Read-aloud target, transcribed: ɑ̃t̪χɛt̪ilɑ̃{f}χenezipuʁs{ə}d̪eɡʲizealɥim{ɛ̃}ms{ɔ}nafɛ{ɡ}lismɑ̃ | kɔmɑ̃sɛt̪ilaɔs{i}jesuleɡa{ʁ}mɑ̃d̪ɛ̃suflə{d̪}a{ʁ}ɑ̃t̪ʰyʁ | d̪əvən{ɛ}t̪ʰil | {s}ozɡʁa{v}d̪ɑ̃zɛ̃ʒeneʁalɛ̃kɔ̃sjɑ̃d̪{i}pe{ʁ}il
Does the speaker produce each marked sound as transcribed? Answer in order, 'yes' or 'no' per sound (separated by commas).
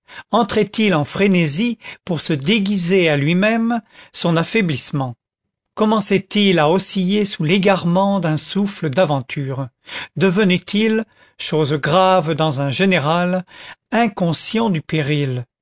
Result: yes, yes, no, no, no, yes, yes, yes, no, yes, no, yes, no, yes